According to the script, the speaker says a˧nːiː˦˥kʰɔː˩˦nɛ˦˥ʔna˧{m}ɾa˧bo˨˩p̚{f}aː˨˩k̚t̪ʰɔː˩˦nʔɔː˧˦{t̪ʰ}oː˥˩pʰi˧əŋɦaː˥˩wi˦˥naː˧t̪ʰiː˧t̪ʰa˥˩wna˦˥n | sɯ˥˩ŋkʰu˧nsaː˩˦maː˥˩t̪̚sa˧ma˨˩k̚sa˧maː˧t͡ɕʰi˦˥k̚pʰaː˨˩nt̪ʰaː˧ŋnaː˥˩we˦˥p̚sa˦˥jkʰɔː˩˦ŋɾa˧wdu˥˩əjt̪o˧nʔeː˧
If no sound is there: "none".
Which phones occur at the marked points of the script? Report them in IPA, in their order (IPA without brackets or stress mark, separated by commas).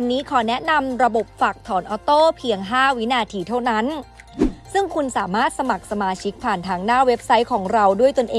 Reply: m, f, t̪